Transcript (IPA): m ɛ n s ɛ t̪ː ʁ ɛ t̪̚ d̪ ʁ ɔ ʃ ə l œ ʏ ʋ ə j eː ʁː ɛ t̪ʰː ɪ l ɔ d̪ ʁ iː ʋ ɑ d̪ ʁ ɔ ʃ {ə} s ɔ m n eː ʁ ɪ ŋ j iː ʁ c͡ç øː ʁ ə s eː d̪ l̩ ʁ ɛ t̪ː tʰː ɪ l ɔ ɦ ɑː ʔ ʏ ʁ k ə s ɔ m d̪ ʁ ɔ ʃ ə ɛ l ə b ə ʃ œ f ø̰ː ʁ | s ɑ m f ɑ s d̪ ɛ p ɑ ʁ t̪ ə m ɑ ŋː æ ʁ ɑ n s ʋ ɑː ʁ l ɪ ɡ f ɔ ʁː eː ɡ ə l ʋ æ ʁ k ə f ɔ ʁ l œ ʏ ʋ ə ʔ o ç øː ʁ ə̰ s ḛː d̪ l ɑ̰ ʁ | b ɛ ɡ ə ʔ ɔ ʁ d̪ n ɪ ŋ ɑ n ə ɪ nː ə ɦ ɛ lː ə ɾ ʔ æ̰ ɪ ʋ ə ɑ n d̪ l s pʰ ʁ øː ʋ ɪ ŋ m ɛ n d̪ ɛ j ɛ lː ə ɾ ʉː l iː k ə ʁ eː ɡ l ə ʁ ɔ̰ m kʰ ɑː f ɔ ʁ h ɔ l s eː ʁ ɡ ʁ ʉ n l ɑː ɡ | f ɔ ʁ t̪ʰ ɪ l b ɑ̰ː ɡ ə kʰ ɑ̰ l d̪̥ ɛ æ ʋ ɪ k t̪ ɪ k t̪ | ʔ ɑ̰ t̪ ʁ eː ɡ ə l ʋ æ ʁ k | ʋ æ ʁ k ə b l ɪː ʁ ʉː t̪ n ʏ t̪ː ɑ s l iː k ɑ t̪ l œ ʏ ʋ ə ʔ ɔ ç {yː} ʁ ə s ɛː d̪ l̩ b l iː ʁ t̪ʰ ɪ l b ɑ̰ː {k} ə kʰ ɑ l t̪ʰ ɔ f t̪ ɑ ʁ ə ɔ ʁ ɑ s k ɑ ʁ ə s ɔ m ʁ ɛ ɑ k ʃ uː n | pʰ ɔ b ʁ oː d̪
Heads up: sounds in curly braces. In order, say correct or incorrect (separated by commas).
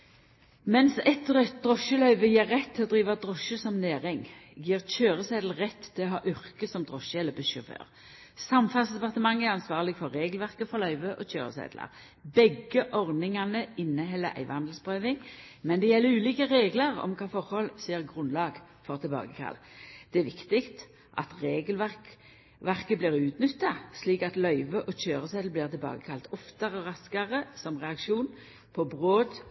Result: correct, incorrect, incorrect